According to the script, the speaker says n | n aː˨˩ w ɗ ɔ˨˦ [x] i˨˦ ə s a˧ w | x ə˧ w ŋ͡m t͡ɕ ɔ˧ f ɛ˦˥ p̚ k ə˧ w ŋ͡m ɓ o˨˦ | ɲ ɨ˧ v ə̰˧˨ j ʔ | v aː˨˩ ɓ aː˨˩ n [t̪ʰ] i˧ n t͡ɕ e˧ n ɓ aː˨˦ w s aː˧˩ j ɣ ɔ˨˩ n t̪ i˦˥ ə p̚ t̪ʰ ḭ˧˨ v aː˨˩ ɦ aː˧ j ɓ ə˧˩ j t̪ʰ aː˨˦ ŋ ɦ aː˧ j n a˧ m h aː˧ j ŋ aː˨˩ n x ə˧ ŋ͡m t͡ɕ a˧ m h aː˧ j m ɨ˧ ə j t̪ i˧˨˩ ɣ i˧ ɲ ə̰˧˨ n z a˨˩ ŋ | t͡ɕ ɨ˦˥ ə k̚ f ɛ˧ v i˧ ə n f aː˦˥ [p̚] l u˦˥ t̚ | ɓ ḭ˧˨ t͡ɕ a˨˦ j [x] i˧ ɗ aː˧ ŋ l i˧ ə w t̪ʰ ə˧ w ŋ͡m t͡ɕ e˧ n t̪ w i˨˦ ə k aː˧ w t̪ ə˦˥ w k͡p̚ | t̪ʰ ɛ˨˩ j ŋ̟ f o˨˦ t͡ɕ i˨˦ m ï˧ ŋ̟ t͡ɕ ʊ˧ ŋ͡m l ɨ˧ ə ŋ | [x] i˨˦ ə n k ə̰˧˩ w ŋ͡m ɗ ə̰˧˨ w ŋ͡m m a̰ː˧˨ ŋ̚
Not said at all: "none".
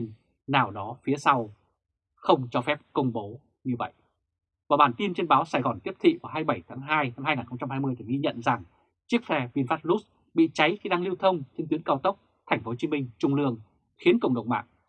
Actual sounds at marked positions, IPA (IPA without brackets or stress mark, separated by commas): f, t̪, t̚, x, x